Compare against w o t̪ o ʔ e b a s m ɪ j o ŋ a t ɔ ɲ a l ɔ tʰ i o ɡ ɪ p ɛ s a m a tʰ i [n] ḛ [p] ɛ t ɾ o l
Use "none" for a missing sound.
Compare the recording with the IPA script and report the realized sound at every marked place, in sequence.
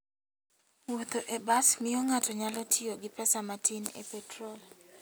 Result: n, p

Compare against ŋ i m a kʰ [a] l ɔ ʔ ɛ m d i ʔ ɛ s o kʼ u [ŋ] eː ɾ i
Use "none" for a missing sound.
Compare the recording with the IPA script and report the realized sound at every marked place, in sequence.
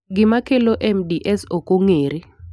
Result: ɛ, ŋ

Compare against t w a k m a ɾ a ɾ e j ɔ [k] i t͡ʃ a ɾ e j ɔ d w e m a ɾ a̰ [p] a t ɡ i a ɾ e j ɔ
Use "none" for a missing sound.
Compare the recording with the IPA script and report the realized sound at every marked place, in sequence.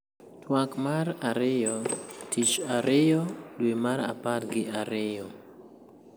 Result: t, p

